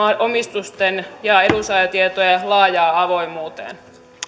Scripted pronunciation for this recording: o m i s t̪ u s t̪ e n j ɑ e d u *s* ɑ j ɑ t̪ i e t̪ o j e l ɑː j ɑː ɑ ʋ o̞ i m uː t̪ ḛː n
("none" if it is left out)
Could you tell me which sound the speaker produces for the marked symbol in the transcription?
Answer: s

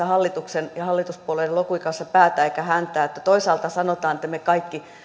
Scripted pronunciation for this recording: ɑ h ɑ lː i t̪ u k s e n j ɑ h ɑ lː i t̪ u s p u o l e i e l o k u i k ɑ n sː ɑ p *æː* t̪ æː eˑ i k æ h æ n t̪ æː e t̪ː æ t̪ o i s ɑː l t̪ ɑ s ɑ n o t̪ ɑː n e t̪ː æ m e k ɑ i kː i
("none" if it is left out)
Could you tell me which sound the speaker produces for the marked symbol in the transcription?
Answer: æː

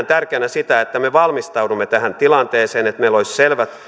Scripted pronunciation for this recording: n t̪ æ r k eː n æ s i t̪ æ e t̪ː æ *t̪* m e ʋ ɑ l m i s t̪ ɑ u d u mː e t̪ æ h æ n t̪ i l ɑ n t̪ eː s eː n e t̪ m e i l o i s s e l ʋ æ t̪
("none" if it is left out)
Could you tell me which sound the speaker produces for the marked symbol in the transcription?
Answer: none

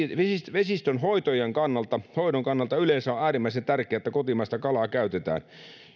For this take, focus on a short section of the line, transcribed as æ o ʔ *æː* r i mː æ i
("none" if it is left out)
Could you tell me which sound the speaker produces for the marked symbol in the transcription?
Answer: æː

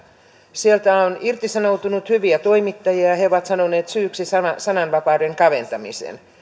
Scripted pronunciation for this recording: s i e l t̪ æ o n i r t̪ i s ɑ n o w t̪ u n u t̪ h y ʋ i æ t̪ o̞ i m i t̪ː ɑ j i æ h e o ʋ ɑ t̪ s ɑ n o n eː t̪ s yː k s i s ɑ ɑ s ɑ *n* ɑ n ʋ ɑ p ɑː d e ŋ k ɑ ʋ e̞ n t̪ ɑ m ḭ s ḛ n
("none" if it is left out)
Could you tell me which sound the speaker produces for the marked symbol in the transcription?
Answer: n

